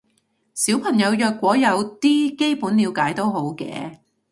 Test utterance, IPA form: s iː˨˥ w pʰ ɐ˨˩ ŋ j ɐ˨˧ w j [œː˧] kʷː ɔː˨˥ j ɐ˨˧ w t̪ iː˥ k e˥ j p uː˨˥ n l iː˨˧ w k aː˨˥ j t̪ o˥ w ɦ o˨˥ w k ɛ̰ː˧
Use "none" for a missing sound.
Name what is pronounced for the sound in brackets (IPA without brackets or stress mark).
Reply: œː˧